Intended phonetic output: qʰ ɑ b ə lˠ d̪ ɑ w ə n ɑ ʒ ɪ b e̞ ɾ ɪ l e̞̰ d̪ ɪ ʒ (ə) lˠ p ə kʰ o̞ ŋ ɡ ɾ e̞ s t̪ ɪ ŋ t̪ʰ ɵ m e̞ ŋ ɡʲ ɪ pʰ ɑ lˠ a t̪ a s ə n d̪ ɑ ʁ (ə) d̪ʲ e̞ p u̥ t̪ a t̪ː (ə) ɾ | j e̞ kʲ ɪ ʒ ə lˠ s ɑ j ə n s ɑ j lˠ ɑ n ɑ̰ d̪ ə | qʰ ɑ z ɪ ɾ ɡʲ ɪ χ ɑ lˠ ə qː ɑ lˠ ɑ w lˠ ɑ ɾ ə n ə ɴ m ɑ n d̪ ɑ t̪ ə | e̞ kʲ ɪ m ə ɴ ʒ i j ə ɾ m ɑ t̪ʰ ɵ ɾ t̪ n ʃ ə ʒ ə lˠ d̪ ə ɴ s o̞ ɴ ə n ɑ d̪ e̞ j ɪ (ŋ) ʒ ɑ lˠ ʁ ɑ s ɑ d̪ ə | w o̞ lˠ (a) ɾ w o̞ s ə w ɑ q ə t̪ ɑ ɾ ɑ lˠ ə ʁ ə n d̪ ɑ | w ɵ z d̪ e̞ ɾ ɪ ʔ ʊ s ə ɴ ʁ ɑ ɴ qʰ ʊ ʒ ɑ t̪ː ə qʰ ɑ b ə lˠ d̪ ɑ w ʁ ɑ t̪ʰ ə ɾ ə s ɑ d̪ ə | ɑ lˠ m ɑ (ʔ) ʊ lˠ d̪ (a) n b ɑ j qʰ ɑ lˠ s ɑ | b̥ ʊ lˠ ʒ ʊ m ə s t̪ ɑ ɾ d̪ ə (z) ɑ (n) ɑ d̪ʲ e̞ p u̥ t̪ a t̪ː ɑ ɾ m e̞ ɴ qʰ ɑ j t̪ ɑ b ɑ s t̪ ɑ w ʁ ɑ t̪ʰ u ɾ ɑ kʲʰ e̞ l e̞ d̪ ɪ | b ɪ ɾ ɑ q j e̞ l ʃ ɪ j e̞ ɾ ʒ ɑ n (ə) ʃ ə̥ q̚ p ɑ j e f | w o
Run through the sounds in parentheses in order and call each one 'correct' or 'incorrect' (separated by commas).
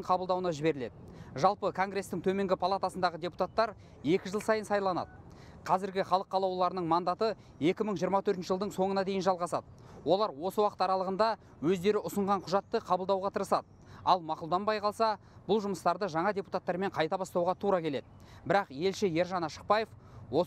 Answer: incorrect, correct, incorrect, incorrect, incorrect, incorrect, incorrect, incorrect, incorrect, incorrect